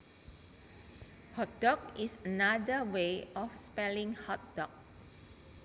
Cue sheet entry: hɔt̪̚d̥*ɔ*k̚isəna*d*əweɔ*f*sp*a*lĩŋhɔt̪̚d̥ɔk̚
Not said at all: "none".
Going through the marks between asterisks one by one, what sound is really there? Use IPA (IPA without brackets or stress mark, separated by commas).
ɔ, d, f, ɛ